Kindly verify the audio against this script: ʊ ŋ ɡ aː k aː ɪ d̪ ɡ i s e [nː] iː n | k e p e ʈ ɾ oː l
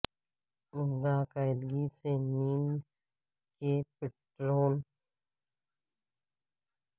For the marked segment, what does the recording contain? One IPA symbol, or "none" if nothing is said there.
n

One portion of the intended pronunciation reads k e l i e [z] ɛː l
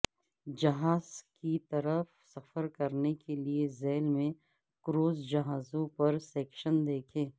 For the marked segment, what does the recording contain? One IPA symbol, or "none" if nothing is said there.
z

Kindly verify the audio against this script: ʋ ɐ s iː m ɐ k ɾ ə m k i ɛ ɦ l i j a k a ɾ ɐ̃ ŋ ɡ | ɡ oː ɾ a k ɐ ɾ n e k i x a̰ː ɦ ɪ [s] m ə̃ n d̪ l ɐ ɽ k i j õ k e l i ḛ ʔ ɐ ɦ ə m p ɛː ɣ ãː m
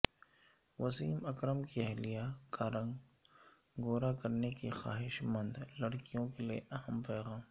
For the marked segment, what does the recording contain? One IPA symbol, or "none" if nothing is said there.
ʃ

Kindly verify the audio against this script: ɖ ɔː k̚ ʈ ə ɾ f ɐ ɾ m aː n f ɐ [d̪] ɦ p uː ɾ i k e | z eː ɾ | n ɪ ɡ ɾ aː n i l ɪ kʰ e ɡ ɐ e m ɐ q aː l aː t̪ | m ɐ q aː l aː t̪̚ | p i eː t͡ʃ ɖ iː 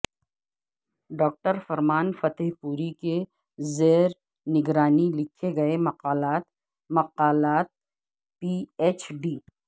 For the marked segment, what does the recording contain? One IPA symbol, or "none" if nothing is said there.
t̪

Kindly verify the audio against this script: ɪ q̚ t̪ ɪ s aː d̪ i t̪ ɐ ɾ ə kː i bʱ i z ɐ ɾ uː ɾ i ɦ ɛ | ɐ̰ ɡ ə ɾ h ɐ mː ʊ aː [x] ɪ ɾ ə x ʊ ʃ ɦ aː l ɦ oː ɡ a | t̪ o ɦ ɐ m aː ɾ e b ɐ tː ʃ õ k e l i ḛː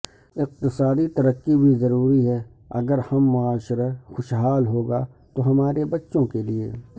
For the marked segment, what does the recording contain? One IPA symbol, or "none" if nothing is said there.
ʃ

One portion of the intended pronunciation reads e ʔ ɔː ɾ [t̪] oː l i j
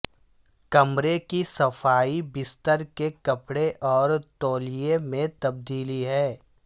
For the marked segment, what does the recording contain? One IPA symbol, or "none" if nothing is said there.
t̪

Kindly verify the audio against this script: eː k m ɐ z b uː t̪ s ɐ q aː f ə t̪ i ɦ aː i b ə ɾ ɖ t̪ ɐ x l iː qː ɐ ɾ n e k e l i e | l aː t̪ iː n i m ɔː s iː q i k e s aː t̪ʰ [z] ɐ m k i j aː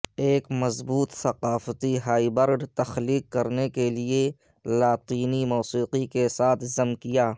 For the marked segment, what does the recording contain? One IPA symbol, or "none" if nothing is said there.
z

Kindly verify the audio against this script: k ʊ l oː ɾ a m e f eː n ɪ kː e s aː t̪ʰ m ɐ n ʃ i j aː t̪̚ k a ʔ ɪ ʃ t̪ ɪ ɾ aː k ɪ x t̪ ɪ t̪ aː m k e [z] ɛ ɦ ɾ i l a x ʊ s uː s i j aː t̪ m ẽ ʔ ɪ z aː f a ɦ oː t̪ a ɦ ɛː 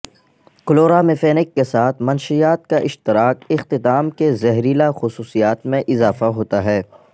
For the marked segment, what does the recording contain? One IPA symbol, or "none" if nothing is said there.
z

